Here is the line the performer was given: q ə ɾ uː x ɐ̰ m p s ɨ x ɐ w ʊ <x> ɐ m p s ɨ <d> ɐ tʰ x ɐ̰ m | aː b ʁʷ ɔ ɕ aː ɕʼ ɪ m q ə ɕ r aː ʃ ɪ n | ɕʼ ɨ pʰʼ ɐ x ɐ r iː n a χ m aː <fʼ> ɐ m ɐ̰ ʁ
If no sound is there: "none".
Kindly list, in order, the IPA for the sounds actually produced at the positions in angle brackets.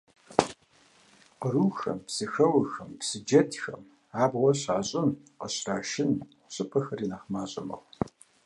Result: x, d͡ʒ, ɕʼ

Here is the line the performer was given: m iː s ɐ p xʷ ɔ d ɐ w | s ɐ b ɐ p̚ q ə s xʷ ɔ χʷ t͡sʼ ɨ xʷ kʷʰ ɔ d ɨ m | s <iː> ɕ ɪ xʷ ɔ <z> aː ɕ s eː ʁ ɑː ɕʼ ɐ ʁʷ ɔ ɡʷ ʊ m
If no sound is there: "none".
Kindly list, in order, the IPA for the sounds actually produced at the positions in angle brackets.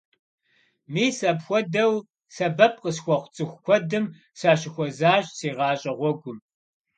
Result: aː, z

